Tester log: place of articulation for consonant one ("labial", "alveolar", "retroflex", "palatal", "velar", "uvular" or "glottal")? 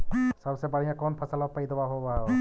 alveolar